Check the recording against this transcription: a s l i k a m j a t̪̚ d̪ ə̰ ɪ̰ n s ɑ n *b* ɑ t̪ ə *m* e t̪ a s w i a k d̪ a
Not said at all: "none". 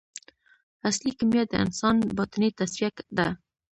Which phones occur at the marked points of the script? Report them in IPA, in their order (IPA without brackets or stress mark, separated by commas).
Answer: b, n